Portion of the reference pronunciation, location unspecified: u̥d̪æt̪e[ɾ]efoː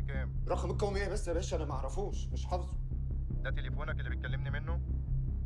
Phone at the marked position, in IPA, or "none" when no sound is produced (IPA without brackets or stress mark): l